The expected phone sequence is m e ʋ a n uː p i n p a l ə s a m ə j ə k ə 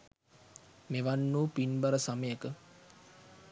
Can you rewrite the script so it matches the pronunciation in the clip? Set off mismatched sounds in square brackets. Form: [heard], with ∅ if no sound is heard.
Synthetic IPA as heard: m e ʋ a [nː] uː p i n [b] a [ɾ] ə s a m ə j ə k ə